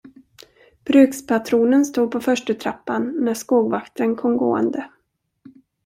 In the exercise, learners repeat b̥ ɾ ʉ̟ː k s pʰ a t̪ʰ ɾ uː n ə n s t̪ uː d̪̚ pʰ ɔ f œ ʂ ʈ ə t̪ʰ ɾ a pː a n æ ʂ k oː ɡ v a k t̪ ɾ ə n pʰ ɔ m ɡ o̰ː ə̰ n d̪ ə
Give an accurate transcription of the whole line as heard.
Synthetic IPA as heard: b̥ ɾ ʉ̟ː k s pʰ a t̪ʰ ɾ uː n ə n s t̪ uː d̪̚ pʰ ɔ f œ ʂ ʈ ə t̪ʰ ɾ a pː a nː æ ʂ k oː ɡ v a k t̪ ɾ ə n kʰ ɔ m ɡ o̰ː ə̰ n d̪ ə